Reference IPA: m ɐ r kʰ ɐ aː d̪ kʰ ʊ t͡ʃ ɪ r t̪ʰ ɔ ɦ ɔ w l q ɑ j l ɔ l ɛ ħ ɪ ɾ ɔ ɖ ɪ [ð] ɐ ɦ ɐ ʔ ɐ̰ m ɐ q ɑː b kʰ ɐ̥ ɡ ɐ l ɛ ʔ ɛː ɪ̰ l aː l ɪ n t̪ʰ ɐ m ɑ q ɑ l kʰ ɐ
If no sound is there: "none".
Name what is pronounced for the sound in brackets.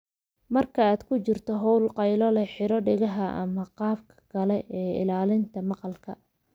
ɣ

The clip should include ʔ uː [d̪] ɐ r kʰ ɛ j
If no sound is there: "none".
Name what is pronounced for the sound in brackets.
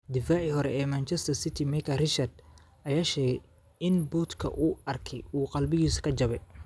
none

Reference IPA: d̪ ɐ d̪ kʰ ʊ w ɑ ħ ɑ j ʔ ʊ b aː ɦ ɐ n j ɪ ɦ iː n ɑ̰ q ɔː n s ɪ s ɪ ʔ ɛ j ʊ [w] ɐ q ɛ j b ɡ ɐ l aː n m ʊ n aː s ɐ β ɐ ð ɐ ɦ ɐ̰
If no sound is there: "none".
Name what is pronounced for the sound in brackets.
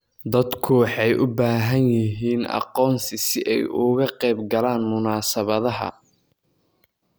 ɣ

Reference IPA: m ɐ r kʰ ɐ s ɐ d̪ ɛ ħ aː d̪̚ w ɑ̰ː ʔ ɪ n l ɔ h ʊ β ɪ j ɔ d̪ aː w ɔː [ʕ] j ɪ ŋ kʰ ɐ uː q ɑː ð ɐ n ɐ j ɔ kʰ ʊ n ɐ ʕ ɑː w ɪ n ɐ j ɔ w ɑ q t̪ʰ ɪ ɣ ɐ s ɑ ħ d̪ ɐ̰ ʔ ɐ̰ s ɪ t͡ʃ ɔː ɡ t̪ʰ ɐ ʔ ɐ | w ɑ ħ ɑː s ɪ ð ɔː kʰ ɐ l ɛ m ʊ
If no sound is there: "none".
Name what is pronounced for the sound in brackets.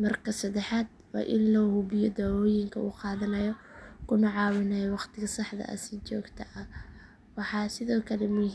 none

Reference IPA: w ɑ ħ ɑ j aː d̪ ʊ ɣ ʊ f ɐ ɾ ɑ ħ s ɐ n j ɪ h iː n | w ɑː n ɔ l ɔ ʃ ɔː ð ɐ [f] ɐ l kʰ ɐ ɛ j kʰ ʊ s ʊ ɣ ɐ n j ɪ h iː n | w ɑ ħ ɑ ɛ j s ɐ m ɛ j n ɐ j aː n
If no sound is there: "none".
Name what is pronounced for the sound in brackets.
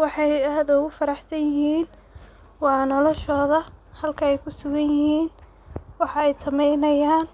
h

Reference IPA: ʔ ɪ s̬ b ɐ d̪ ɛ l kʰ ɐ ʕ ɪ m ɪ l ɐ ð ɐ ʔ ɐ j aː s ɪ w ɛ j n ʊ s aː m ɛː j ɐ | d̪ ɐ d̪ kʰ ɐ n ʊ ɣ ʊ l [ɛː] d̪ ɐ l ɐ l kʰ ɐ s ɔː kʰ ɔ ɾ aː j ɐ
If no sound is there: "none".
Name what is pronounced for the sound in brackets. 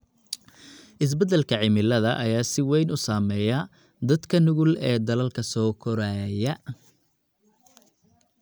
ɛː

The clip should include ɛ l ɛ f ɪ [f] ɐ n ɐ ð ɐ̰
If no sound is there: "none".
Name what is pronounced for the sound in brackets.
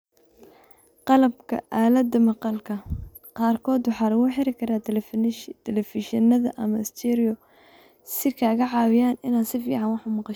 ʃ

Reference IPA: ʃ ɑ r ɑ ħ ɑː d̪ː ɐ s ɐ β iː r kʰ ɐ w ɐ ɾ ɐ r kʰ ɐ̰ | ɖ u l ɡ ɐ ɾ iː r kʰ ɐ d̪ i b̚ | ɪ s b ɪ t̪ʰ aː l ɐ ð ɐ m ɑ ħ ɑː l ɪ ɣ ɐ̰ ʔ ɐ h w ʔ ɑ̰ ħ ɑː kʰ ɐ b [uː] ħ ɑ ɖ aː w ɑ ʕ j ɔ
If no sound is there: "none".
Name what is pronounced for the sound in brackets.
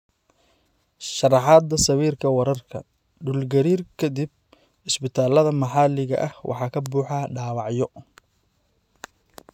uː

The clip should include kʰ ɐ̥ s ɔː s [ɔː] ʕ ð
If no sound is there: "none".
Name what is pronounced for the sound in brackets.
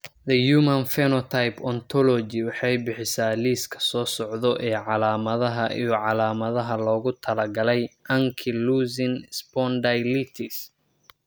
ɔ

